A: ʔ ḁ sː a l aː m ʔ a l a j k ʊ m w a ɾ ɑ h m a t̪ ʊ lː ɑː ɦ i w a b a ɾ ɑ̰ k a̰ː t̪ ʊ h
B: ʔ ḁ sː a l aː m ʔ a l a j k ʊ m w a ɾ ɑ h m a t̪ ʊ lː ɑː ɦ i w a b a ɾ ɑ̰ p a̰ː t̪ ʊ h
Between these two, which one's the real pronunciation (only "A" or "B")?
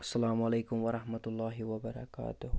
A